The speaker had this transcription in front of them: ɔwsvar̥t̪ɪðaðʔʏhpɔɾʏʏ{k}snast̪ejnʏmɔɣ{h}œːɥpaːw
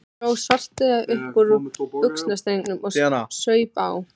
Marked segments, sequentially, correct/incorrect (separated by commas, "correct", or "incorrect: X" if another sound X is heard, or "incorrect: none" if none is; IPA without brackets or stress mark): correct, incorrect: s